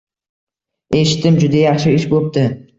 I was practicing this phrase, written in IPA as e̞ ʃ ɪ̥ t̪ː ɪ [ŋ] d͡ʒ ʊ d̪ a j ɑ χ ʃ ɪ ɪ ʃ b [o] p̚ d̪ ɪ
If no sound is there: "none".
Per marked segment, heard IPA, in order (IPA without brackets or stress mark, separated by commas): m, o